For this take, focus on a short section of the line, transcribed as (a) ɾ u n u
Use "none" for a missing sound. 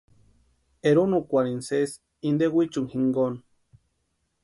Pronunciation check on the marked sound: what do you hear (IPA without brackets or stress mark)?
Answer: e